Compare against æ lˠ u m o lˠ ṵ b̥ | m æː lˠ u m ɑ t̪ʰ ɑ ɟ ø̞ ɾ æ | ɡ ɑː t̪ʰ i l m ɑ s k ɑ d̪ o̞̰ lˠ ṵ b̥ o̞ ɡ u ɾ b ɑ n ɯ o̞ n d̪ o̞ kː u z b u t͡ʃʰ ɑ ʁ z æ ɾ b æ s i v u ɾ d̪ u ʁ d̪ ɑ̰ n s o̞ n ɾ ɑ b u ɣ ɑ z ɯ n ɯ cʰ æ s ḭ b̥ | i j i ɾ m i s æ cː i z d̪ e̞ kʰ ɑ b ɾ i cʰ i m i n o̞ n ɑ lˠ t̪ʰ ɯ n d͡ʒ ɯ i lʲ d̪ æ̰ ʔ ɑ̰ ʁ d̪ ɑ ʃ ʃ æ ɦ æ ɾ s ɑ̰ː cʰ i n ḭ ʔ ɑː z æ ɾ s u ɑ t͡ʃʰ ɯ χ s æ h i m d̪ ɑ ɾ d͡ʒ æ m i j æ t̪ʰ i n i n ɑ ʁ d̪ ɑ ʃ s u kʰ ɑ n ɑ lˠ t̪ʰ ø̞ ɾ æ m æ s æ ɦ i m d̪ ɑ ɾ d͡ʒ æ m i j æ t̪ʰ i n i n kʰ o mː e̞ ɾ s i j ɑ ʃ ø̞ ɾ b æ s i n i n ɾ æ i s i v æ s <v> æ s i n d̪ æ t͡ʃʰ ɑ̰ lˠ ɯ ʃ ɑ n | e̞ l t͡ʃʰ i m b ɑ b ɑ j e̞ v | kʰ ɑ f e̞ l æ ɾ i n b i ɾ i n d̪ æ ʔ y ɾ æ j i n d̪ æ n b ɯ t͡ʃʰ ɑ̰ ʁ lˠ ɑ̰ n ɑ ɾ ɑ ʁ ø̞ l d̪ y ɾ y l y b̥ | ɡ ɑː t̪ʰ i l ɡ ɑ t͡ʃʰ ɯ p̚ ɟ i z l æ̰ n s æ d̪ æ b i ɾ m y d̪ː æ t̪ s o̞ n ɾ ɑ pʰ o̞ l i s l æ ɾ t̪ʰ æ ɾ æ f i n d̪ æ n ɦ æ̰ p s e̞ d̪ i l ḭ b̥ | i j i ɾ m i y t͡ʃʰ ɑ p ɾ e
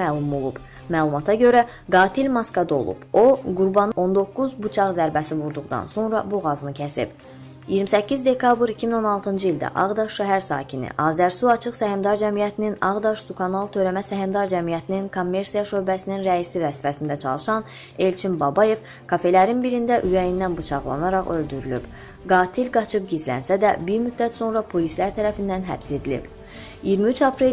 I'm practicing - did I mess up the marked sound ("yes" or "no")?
yes